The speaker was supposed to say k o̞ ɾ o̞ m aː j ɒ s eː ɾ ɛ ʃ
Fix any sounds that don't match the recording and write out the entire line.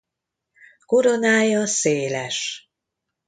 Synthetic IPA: k o̞ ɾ o̞ n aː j ɒ s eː l ɛ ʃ